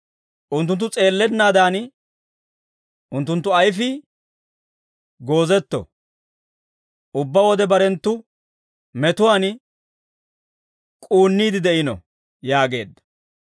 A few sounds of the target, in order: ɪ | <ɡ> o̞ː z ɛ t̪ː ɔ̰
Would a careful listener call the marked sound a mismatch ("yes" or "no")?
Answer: no